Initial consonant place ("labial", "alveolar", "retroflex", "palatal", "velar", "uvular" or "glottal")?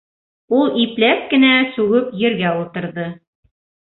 alveolar